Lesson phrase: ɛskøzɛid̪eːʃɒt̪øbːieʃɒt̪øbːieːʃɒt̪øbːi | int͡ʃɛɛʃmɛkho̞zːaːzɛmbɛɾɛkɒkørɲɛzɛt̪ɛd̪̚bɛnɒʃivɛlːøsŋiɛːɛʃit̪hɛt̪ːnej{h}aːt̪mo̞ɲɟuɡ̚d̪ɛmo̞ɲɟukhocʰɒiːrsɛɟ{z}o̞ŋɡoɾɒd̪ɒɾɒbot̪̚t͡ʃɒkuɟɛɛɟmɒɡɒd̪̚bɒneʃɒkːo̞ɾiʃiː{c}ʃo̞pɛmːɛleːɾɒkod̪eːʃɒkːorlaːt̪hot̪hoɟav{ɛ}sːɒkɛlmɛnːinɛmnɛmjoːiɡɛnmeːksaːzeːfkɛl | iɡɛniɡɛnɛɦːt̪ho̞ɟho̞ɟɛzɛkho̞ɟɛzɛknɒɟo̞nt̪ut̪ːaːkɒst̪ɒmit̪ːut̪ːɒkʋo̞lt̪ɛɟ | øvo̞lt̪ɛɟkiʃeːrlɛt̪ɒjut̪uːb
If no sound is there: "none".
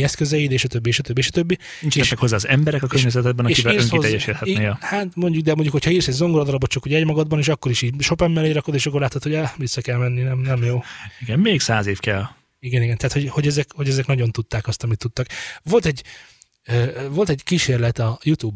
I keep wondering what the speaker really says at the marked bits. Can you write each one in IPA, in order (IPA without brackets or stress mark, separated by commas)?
h, z, ɟ, i